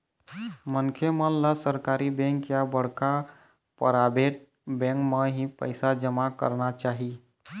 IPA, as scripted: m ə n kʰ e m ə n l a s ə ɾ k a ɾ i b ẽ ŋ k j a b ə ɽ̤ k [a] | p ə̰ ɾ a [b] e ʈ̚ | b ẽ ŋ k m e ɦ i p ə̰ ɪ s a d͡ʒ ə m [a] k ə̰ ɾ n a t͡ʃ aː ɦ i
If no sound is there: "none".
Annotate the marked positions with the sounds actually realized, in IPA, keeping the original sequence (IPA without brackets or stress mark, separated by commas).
a, b, a